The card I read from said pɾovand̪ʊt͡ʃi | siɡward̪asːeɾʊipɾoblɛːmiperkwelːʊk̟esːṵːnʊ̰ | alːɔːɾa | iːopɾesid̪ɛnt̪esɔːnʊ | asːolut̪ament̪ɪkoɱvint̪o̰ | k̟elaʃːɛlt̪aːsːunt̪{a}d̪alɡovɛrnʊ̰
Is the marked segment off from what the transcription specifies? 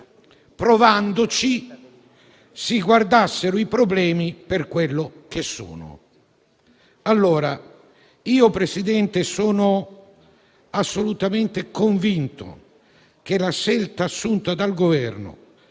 no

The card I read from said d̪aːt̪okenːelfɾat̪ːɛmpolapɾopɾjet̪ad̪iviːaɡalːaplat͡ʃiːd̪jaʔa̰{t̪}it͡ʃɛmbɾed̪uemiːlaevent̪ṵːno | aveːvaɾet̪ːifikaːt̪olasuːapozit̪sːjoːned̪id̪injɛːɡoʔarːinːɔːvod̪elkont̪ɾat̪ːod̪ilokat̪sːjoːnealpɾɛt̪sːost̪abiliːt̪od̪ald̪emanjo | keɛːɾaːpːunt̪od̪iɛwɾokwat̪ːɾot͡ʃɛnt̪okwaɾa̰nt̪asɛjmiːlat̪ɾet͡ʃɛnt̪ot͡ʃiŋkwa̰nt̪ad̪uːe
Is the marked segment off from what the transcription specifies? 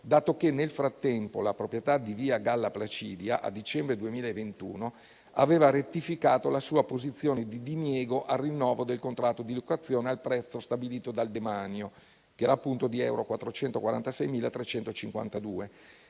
yes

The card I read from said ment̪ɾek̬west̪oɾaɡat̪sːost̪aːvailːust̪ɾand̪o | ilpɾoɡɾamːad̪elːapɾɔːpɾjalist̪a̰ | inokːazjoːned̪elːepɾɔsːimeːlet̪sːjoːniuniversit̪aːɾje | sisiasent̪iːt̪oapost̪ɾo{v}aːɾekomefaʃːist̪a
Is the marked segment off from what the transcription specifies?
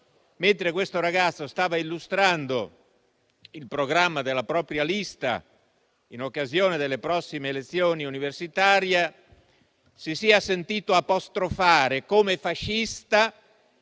yes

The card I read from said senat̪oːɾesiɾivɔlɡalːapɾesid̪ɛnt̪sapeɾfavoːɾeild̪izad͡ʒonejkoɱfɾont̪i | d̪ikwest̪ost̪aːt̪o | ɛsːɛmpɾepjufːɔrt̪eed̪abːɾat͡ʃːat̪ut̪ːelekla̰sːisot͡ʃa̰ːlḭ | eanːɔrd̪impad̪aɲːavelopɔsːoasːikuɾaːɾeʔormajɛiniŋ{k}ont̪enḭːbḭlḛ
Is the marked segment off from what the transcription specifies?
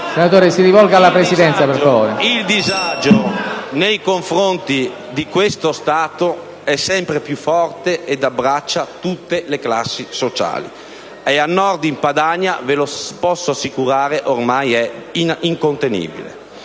no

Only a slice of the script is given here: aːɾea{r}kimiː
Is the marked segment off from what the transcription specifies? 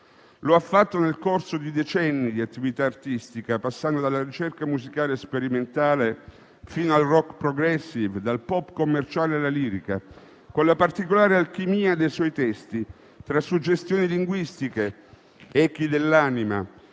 yes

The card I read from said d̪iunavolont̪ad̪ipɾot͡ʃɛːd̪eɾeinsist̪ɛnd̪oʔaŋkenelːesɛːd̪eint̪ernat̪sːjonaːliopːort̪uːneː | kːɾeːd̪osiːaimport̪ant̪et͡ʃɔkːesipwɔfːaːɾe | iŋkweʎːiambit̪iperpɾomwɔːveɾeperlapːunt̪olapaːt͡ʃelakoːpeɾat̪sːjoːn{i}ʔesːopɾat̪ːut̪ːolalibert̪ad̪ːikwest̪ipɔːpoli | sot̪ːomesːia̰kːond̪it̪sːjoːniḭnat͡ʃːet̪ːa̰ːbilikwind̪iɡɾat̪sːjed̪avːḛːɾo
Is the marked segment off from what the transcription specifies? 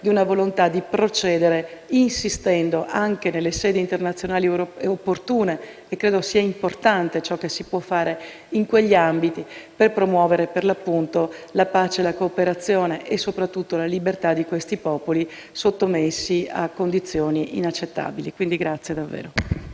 yes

